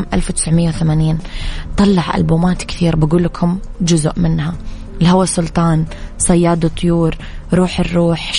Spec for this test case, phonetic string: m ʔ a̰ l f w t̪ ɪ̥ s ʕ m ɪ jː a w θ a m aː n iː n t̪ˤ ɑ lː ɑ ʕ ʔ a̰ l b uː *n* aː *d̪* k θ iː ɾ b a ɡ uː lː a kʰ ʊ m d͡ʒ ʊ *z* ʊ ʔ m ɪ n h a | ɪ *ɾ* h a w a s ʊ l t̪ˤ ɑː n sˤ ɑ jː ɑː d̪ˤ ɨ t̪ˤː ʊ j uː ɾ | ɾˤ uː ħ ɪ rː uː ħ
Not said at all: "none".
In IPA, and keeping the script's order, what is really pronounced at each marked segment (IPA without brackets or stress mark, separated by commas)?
m, t̪, z, l